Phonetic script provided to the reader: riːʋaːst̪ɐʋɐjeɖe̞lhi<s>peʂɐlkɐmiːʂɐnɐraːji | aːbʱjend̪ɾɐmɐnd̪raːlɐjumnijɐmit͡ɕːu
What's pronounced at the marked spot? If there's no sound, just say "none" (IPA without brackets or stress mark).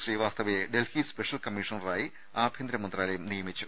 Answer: s